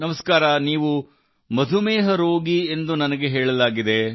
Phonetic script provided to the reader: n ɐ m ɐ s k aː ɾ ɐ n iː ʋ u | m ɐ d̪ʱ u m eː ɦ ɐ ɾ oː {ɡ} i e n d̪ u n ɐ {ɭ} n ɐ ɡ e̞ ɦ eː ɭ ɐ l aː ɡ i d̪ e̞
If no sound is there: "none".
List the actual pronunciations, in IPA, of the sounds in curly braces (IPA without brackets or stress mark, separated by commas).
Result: ɡ, none